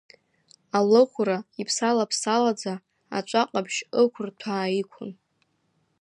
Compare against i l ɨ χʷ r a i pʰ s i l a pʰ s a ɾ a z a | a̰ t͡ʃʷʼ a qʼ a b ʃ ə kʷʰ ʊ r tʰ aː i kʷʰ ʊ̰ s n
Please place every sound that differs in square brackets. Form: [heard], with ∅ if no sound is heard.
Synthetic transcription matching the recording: [a] l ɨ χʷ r a i pʰ s [a] l a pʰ s a [l] a [d͡z] a | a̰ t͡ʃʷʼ a qʼ a b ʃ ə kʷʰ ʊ r tʰ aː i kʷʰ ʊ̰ [∅] n